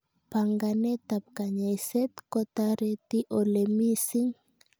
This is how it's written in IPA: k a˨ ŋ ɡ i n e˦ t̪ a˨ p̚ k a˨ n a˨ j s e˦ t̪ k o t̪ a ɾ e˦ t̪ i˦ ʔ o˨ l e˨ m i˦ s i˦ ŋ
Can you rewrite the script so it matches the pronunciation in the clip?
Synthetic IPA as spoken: p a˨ ŋ ɡ a n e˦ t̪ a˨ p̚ k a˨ ɲ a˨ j s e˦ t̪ k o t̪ a ɾ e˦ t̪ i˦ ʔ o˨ l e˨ m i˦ s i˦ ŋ